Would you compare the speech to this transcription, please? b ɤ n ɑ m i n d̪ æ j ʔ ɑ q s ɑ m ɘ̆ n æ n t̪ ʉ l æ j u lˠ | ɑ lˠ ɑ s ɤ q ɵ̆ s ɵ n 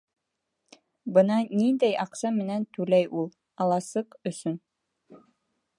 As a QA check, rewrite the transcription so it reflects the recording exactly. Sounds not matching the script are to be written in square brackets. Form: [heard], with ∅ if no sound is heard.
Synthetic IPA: b ɤ n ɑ [n] i n d̪ æ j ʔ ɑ q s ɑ m ɘ̆ n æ n t̪ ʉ l æ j u lˠ | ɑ lˠ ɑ s ɤ q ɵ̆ s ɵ n